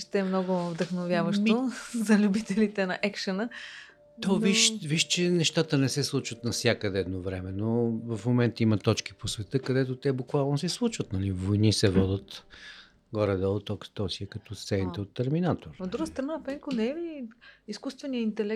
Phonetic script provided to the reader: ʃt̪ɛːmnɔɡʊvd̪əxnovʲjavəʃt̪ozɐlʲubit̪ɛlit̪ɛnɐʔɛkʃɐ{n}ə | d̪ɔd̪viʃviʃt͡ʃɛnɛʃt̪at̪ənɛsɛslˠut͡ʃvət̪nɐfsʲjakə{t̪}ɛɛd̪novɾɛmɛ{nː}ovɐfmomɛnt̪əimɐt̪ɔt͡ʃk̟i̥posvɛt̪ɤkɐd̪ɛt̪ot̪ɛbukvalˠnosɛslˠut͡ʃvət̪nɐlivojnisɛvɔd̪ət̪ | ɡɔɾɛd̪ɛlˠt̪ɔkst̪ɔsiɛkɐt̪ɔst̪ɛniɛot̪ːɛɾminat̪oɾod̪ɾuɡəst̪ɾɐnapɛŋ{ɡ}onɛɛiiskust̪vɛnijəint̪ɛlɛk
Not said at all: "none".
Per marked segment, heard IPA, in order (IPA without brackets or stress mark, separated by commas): n, d̪, n, k